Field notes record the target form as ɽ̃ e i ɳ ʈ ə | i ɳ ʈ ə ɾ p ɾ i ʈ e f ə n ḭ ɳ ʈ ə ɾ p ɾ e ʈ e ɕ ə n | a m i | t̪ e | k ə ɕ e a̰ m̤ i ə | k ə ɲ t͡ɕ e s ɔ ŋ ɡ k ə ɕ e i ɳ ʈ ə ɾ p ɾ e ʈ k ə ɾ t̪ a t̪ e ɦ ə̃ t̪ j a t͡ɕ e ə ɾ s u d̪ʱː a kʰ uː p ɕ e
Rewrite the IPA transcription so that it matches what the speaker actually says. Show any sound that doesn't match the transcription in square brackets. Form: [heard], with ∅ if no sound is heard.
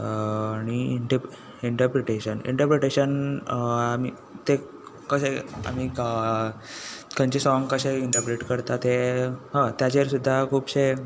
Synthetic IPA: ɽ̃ [i] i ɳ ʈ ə | i ɳ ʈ ə ɾ p ɾ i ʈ e [ɕ] ə n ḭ ɳ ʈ ə ɾ p ɾ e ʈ e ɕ ə n | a m i | t̪ e | k ə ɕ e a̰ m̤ i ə | k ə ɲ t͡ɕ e s ɔ ŋ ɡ k ə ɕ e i ɳ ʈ ə ɾ p ɾ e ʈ k ə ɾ t̪ a t̪ e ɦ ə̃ t̪ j a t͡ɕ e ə ɾ s u d̪ʱː a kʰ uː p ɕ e